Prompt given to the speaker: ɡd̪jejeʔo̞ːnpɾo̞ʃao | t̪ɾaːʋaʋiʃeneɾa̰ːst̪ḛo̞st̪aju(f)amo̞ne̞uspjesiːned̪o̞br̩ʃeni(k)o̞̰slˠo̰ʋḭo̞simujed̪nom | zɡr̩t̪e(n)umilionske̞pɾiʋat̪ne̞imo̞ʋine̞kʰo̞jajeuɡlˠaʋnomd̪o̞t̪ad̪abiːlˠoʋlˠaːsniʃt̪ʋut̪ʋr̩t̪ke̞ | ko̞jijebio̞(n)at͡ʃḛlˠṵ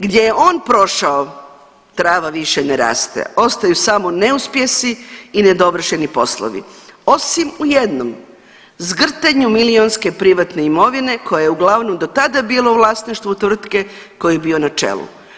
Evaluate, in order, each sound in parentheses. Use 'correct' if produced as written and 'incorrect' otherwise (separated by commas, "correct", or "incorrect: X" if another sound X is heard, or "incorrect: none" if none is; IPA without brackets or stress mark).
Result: incorrect: s, incorrect: p, incorrect: ɲ, correct